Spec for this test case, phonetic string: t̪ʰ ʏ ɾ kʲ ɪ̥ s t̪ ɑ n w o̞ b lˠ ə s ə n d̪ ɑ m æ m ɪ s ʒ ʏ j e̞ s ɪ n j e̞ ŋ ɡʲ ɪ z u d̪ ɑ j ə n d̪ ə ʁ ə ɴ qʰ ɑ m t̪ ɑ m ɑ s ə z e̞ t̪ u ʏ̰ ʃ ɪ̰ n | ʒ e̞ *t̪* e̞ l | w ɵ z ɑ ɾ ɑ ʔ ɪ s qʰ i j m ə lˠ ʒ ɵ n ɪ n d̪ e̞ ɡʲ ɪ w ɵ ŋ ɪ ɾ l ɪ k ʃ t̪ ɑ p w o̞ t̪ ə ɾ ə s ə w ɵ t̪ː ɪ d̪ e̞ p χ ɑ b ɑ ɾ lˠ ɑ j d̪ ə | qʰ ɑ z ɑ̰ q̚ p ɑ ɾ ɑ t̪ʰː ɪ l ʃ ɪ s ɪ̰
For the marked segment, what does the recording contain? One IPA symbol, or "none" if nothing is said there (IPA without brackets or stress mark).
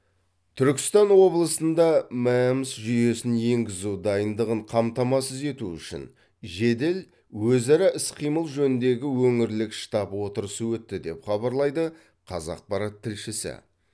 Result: d̪